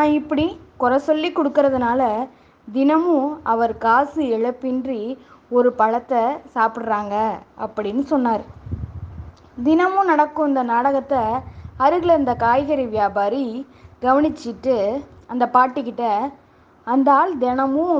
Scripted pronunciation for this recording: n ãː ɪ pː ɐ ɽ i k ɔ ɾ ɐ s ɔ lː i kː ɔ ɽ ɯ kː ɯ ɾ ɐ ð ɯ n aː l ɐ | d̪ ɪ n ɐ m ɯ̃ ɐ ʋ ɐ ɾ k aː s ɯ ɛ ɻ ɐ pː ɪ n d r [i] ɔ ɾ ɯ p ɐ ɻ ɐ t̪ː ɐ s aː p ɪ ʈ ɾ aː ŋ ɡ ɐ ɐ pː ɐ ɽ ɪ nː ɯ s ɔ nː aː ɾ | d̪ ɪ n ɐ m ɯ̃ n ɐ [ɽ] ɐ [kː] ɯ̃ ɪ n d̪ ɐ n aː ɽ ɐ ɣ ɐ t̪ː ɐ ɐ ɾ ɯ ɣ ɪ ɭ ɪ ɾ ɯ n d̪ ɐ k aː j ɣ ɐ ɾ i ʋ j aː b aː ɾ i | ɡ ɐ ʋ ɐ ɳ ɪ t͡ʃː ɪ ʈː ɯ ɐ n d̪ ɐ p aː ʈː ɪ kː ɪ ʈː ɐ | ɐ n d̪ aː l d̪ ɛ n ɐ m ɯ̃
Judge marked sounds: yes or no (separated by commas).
yes, yes, yes